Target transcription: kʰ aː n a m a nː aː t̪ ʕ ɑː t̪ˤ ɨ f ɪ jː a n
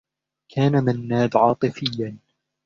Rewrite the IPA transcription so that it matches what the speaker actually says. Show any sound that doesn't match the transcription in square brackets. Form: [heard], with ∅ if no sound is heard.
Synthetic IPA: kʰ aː n a m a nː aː [d̪] ʕ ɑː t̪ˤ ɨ f ɪ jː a n